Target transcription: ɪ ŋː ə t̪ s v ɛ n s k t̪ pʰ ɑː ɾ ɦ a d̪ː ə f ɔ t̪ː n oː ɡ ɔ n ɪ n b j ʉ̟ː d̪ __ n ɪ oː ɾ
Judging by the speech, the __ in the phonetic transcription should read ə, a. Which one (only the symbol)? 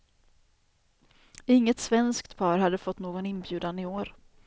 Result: a